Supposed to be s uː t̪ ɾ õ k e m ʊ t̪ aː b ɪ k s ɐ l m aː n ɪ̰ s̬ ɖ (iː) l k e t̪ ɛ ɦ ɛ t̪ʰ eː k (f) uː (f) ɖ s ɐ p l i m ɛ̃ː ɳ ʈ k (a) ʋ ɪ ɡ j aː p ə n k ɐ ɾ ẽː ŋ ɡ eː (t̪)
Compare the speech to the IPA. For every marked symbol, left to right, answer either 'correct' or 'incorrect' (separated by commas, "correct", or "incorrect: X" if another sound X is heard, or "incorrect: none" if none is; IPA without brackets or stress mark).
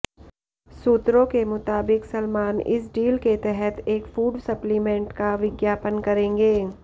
correct, correct, incorrect: none, correct, incorrect: none